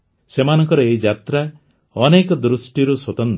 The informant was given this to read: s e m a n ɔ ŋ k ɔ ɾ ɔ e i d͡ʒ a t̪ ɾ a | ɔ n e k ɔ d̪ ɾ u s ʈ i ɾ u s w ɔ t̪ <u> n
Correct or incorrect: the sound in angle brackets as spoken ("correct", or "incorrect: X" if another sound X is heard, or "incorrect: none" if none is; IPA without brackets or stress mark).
incorrect: ɔ